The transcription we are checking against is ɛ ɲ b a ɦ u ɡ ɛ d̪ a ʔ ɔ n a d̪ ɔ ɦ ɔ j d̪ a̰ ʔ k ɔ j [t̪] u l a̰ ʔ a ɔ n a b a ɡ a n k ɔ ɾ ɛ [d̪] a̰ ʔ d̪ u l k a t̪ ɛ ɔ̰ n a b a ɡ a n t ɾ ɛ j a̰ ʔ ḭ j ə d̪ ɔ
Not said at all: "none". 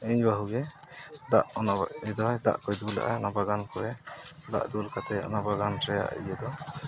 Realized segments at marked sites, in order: d̪, d̪

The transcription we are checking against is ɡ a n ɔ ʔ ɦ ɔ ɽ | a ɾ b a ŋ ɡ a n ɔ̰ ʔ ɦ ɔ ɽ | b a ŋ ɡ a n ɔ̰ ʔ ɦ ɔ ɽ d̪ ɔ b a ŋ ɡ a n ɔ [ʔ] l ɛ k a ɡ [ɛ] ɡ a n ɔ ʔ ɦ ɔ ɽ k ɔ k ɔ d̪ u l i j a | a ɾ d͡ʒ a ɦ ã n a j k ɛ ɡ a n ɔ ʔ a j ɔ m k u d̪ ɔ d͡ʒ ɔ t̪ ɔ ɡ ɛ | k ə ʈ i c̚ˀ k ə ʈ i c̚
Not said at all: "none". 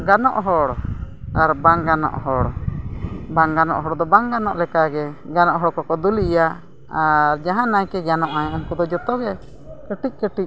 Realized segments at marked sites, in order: ʔ, ɛ

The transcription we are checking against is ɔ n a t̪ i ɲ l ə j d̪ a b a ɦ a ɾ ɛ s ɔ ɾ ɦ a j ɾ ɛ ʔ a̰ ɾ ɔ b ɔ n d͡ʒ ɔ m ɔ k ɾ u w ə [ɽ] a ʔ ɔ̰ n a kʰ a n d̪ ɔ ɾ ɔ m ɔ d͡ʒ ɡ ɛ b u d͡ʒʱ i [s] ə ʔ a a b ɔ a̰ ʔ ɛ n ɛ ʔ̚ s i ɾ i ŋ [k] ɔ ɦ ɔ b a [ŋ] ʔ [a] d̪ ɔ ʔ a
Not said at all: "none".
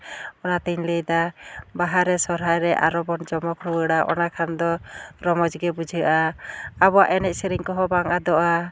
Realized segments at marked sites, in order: ɽ, none, k, ŋ, a

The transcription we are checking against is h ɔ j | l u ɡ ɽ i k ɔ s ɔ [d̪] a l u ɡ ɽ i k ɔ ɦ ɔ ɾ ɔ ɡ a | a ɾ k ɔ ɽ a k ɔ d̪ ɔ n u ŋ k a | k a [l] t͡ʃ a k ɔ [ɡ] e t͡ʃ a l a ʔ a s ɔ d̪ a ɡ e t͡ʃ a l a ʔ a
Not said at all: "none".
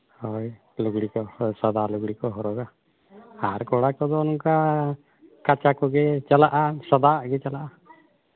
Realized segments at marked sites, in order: d̪, none, ɡ

